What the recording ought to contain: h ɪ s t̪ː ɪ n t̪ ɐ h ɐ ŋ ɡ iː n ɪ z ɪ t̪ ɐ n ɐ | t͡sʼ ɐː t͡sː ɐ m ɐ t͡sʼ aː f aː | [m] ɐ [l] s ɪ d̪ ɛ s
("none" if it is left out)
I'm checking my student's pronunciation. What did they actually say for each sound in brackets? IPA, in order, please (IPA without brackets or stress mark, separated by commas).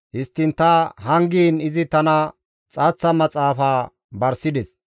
b, ɾ